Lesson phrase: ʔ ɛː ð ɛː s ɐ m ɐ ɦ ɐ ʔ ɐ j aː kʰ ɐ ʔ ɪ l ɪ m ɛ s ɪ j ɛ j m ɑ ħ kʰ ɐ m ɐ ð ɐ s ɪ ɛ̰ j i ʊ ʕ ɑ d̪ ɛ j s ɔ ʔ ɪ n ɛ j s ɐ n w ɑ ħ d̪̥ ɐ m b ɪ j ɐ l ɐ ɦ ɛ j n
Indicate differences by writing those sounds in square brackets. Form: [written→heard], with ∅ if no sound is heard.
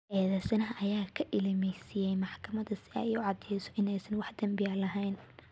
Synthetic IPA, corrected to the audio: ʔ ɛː ð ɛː s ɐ [m→n] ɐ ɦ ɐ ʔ ɐ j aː kʰ ɐ ʔ ɪ l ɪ m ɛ s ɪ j ɛ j m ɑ ħ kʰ ɐ m ɐ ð ɐ s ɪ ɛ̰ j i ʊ ʕ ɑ d̪ ɛ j s ɔ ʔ ɪ n ɛ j s ɐ n w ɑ ħ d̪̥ ɐ m b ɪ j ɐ l ɐ ɦ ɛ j n